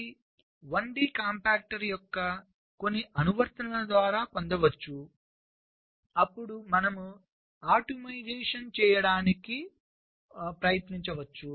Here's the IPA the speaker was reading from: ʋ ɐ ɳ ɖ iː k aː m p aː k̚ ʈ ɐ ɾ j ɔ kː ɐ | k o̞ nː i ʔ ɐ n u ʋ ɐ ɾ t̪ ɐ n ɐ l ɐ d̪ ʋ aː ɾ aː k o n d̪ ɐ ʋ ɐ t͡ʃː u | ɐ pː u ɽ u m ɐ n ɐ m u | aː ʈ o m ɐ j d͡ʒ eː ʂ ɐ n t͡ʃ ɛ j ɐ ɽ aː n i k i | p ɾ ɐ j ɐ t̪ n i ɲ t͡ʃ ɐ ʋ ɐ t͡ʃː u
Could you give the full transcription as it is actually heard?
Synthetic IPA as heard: ʋ ɐ ɳ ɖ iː k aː m p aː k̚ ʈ ɐ ɾ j ɔ kː ɐ | k o̞ nː i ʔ ɐ n u ʋ ɐ ɾ t̪ ɐ n ɐ l ɐ d̪ ʋ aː ɾ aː p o n d̪ ɐ ʋ ɐ t͡ʃː u | ɐ pː u ɽ u m ɐ n ɐ m u | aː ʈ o m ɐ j d͡ʒ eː ʂ ɐ n t͡ʃ ɛː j ɐ ɽ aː n i k i | p ɾ ɐ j ɐ t̪ n i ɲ t͡ʃ ɐ ʋ ɐ t͡ʃː u